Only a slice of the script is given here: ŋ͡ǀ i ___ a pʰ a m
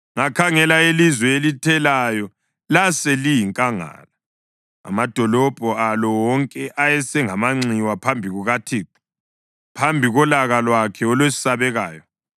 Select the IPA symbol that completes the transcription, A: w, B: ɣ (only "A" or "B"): A